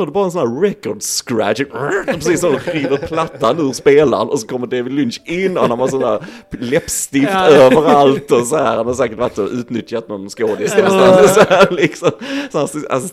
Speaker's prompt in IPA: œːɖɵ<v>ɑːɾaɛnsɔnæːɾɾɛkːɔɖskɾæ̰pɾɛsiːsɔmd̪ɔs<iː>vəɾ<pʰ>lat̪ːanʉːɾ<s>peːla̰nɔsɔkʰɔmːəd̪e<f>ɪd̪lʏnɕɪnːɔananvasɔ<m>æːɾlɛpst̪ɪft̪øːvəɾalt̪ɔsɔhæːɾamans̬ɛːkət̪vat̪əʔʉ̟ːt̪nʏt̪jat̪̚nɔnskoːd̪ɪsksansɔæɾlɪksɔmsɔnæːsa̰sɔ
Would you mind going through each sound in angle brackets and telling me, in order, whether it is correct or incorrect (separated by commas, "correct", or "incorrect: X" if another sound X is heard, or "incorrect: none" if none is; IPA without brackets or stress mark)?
incorrect: b, correct, correct, correct, incorrect: v, incorrect: n